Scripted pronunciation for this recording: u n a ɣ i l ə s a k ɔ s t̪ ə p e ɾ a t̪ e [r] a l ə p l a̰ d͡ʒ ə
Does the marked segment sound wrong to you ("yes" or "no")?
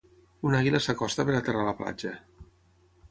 no